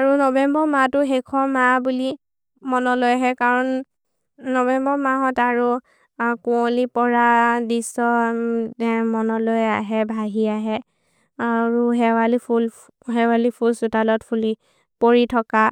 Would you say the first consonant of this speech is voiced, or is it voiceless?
voiced